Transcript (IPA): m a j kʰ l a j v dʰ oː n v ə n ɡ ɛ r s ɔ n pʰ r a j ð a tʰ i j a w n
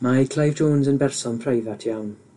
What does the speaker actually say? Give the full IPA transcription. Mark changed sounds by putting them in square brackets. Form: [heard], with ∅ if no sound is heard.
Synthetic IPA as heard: m a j kʰ l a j v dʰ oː n [z] ə n [b] ɛ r s ɔ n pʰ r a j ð a tʰ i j a w n